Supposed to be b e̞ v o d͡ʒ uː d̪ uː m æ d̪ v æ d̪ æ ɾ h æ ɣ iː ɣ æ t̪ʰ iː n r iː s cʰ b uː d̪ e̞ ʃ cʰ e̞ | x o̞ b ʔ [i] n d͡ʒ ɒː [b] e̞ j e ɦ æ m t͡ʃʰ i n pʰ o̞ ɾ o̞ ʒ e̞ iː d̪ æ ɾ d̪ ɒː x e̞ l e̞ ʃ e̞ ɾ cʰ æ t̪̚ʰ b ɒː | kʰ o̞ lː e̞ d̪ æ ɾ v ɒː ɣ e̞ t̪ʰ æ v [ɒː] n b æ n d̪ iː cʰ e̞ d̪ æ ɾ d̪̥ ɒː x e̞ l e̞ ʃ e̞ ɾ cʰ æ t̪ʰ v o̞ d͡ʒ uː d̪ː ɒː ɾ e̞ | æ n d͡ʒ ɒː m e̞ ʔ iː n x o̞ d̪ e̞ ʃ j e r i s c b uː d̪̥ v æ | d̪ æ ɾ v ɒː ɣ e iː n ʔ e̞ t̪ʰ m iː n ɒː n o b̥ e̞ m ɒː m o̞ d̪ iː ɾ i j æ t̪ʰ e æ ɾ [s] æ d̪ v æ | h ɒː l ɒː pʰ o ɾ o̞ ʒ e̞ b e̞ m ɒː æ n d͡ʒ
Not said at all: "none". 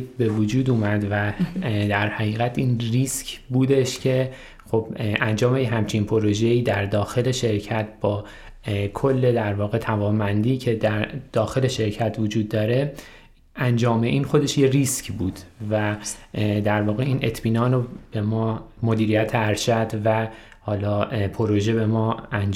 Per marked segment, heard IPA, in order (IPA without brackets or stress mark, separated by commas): æ, m, ɒː, ʃ